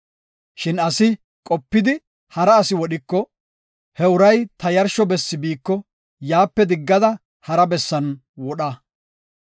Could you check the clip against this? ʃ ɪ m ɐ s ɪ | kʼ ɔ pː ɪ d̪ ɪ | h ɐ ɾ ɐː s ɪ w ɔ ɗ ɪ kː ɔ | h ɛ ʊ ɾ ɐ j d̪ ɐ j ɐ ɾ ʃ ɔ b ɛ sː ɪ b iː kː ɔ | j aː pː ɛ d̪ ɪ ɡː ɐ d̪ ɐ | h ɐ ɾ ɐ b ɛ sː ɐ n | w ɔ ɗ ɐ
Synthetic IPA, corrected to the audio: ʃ ɪ n ɐ s ɪ | kʼ ɔ pː ɪ d̪ ɪ | h ɐ ɾ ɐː s ɪ w ɔ ɗ ɪ kː ɔ | h ɛ ʊ ɾ ɐ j t̪ ɐ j ɐ ɾ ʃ ɔ b ɛ sː ɪ b iː kː ɔ | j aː pː ɛ d̪ ɪ ɡː ɐ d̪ ɐ | h ɐ ɾ ɐ b ɛ sː ɐ n | w ɔ ɗ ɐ